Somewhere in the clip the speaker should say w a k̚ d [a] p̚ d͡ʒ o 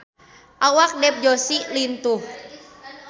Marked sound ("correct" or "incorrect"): incorrect